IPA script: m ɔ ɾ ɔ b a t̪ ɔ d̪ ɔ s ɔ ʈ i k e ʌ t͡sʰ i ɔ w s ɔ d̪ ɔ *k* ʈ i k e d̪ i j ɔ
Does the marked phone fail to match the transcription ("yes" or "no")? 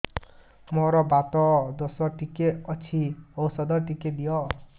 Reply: yes